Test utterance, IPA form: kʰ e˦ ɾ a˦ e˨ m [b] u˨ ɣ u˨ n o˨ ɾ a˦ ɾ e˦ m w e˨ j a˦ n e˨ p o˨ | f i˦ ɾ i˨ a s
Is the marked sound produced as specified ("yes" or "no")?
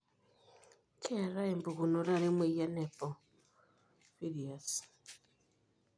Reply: yes